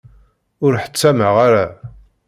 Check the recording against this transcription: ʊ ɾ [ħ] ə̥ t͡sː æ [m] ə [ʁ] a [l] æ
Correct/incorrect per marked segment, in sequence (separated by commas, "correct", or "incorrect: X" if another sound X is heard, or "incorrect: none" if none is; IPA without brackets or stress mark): correct, correct, correct, incorrect: ɾ